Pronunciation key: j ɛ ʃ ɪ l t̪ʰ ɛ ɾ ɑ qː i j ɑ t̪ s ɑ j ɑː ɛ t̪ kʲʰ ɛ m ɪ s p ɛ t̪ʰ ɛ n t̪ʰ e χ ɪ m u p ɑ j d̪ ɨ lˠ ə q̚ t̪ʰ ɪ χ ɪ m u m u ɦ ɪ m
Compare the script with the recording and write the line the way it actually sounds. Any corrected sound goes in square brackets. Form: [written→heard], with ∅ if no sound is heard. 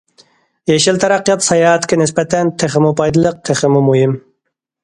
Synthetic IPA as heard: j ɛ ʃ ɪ l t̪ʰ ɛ ɾ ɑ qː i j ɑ t̪ s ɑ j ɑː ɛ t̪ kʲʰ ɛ [m→n] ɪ s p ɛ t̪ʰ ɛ n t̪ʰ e χ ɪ m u p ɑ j d̪ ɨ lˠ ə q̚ t̪ʰ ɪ χ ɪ m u m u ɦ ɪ m